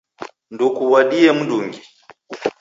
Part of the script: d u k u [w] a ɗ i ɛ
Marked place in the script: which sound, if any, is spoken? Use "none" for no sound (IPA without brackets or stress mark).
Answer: w